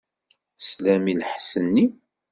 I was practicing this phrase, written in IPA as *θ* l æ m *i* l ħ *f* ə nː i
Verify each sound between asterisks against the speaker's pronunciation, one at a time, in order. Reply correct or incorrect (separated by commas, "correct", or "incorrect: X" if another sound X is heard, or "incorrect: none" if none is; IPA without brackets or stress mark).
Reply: incorrect: s, correct, incorrect: s